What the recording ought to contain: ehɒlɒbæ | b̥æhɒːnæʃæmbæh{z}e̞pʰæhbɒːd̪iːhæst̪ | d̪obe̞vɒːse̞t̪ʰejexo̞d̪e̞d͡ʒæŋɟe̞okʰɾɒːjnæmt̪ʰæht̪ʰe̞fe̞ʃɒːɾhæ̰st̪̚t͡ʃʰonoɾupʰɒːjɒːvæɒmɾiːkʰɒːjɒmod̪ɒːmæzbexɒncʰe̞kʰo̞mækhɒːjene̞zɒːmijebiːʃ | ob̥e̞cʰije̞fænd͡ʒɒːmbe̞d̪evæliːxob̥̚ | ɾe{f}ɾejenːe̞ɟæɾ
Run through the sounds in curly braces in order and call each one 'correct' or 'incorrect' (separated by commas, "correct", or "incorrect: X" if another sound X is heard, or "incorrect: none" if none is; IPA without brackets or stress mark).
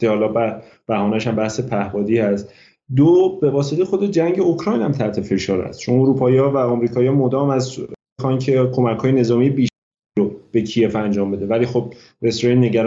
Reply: incorrect: s, incorrect: s